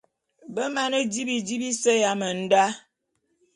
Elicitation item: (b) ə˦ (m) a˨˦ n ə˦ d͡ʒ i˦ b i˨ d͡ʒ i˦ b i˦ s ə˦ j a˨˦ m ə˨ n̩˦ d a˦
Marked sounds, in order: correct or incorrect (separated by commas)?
correct, correct